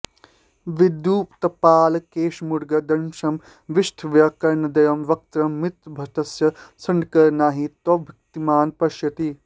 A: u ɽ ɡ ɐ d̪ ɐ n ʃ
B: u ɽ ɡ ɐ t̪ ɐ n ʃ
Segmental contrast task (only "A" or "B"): A